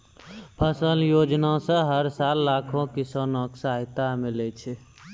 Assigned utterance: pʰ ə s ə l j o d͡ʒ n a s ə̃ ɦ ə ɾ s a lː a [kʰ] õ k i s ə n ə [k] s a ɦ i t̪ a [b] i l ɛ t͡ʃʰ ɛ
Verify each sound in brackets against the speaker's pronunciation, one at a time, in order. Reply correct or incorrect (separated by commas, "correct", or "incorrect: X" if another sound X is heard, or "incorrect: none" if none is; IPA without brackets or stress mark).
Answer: correct, correct, incorrect: m